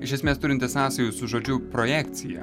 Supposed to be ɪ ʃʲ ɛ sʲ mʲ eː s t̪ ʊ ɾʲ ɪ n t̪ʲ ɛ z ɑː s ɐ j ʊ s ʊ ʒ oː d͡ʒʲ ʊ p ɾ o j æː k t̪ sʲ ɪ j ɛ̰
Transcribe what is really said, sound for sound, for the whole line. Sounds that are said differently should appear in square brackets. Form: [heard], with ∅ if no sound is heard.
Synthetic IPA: ɪ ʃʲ ɛ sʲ mʲ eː s t̪ ʊ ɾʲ ɪ n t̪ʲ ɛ [s] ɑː s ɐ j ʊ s ʊ ʒ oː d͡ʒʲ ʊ p ɾ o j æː k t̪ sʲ ɪ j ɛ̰